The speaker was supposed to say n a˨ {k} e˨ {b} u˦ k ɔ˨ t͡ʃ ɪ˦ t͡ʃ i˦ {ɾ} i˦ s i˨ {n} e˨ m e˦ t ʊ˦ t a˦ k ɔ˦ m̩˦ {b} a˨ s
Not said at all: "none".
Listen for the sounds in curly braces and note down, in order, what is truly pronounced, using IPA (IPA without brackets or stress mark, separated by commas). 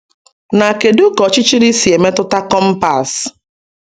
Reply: k, d, ɾ, none, p